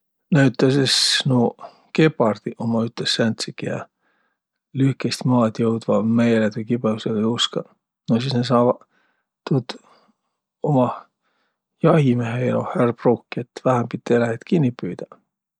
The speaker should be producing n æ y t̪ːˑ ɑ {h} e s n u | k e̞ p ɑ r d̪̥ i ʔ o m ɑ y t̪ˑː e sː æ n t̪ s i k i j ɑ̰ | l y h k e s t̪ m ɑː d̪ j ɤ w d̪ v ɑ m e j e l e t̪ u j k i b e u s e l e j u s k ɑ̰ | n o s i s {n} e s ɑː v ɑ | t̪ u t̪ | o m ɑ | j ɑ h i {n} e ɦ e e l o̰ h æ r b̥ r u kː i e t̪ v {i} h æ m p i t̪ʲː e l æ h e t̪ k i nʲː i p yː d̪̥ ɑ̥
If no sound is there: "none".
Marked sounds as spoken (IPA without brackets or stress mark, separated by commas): s, n, m, æ